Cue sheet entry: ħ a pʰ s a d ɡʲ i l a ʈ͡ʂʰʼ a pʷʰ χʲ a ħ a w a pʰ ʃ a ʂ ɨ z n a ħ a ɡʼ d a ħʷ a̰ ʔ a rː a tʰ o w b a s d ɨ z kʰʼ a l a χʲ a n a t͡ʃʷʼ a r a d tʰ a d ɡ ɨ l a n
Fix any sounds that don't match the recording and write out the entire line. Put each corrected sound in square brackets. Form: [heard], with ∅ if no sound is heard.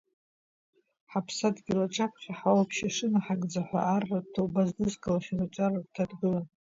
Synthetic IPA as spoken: ħ a pʰ s a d ɡʲ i l a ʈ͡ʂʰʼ a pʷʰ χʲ a ħ a w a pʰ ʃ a ʂ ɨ [∅] n a ħ a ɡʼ [d͡z] a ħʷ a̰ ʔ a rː a tʰ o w b a [z] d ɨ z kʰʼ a l a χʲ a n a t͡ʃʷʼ a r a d tʰ a d ɡ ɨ l a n